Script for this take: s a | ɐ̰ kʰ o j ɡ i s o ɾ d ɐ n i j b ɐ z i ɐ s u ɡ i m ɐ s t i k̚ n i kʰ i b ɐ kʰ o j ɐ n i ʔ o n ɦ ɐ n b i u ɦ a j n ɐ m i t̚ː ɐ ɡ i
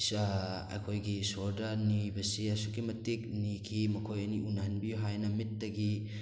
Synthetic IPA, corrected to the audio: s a | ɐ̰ kʰ o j ɡ i s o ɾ d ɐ n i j b ɐ s i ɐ s u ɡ i m ɐ t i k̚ n i kʰ i m ɐ kʰ o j ɐ n i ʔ u n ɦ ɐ n b i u ɦ a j n ɐ m i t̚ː ɐ ɡ i